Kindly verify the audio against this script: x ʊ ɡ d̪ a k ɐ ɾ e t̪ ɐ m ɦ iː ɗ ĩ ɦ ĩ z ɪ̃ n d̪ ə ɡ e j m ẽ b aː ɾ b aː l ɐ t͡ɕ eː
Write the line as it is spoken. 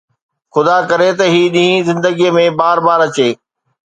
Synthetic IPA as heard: x ʊ d̪ a k ɐ ɾ e t̪ ɐ ɦ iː ɗ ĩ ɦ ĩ z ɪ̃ n d̪ ə ɡ i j m ẽ b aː ɾ b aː ɾ ɐ t͡ɕ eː